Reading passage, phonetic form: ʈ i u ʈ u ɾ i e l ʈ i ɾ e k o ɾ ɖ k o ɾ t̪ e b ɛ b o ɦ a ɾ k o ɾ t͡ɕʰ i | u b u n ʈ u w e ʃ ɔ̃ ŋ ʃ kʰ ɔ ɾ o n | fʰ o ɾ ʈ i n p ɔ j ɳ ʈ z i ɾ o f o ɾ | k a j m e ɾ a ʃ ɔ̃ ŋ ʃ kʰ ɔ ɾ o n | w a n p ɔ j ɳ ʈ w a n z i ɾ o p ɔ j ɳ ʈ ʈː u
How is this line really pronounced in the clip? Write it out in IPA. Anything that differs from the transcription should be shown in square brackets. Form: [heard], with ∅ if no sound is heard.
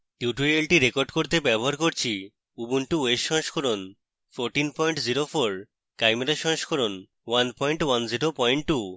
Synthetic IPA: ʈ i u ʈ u ɾ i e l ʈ i ɾ e k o ɾ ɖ k o ɾ t̪ e b ɛ b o ɦ a ɾ k o ɾ t͡ɕʰ i | u b u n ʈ u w e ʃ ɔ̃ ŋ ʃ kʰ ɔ ɾ o n | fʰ o ɾ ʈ i n p ɔ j ɳ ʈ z i ɾ o f o ɾ | k a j m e ɾ a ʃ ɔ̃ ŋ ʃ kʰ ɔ ɾ o n | w a n p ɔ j ɳ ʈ w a n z i ɾ o p ɔ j ɳ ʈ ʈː u